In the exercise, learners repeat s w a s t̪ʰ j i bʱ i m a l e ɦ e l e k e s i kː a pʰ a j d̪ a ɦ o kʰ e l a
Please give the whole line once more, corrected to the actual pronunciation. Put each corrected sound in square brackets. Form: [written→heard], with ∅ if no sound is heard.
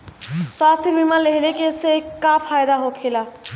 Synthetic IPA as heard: s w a s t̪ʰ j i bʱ i m a l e ɦ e l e k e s [i→e] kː a pʰ a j d̪ a ɦ o kʰ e l a

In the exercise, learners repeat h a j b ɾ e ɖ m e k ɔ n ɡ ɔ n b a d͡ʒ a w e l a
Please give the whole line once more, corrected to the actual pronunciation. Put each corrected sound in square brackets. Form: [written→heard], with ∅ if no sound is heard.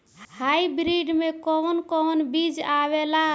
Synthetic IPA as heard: h a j b ɾ [e→i] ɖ m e k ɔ n [ɡ→k] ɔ n b [a→i] d͡ʒ a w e l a

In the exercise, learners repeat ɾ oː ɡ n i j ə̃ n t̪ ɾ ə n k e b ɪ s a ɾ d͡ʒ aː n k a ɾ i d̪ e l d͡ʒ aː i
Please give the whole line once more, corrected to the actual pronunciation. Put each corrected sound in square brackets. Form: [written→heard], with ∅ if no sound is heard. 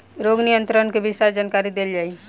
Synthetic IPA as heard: ɾ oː ɡ n i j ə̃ n t̪ ɾ ə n k e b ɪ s a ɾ d͡ʒ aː n k a ɾ i d̪ e l d͡ʒ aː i

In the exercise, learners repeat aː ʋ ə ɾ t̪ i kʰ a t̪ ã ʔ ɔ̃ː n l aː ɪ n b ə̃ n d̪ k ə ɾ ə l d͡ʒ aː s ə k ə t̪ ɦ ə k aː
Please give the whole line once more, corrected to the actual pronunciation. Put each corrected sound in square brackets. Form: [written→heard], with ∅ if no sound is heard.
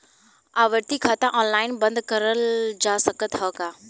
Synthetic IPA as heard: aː ʋ ə ɾ t̪ i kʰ a t̪ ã ʔ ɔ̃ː n l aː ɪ n b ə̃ n d̪ k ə ɾ ə l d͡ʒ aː s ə k ə t̪ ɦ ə k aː

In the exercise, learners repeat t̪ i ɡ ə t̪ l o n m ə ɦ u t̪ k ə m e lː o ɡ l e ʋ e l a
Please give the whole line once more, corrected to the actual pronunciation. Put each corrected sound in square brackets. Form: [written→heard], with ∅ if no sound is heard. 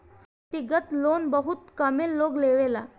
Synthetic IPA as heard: t̪ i ɡ ə t̪ l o n [m→b] ə ɦ u t̪ k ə m e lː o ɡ l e ʋ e l a

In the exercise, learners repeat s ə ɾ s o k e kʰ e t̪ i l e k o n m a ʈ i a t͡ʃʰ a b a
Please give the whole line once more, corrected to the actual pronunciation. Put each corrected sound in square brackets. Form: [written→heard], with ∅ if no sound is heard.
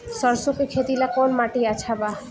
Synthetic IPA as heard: s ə ɾ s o k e kʰ e t̪ i l [e→a] k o n m a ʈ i a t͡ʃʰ a b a

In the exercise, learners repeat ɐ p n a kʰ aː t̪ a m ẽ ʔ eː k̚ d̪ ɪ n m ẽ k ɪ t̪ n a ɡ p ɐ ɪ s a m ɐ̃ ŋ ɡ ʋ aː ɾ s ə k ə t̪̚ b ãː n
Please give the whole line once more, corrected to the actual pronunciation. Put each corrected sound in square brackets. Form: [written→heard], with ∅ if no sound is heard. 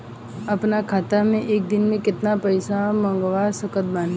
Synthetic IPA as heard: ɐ p n a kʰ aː t̪ a m ẽ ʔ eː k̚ d̪ ɪ n m ẽ k ɪ t̪ n a [ɡ→∅] p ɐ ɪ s a m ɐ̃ ŋ ɡ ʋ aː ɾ s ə k ə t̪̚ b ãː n

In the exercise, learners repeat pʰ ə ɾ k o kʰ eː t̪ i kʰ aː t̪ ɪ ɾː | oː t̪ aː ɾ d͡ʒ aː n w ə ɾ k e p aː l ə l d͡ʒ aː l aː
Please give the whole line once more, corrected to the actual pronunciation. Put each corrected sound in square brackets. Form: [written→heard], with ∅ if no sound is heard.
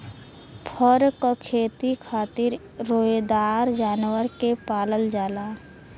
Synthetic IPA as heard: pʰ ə ɾ k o kʰ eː t̪ i kʰ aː t̪ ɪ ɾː | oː [t̪→d̪] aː ɾ d͡ʒ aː n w ə ɾ k e p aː l ə l d͡ʒ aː l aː

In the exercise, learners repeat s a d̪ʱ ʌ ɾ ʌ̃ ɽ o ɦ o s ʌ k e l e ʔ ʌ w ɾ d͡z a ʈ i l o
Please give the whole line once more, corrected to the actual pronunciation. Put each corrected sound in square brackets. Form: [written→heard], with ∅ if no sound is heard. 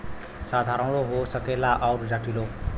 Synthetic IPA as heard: s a d̪ʱ [ʌ→a] ɾ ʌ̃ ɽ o ɦ o s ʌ k e l [e→a] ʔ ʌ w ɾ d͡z a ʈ i l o

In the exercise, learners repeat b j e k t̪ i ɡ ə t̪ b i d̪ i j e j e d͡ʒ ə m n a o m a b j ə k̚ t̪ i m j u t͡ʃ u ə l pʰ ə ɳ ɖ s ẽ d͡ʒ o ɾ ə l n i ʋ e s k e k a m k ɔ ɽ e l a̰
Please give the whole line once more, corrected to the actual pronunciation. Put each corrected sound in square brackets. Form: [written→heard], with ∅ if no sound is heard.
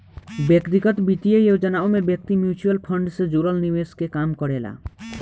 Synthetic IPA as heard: b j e k t̪ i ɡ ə t̪ b i [d̪→t̪] i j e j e d͡ʒ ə [m→∅] n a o m [a→e] b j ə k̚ t̪ i m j u t͡ʃ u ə l pʰ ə ɳ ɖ s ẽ d͡ʒ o ɾ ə l n i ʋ e s k e k a m k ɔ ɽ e l a̰

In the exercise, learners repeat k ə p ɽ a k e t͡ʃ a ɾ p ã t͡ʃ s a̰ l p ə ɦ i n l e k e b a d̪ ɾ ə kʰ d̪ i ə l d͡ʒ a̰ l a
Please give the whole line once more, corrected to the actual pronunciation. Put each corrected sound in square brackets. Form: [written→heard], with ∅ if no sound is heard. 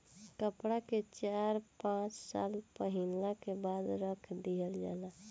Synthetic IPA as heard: k ə p ɽ a k e t͡ʃ a ɾ p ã t͡ʃ s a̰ l p ə ɦ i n l [e→a] k e b a d̪ ɾ ə kʰ d̪ i ə l d͡ʒ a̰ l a

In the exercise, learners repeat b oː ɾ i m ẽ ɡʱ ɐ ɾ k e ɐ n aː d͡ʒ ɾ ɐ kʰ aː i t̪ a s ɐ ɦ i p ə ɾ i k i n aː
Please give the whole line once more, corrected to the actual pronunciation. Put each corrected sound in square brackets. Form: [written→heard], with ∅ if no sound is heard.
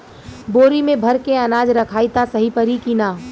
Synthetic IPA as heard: b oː ɾ i m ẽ [ɡʱ→bʱ] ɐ ɾ k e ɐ n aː d͡ʒ ɾ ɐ kʰ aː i t̪ a s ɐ ɦ i p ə ɾ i k i n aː

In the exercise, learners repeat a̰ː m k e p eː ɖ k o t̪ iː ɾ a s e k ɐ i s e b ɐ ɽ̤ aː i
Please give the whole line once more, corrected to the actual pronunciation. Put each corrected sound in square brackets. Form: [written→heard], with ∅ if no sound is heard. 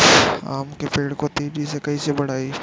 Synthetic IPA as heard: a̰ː m k e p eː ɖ k o t̪ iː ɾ [a→i] s e k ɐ i s e b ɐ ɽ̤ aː i

